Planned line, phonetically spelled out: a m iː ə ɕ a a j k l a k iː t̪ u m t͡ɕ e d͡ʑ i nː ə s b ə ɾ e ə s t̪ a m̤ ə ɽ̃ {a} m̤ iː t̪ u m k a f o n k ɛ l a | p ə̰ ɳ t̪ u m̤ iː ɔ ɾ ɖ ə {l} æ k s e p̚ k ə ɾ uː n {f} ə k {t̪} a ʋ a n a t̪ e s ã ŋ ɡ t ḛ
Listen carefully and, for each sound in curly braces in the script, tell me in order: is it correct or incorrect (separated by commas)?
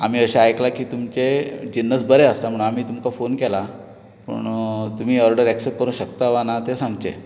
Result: correct, incorrect, incorrect, correct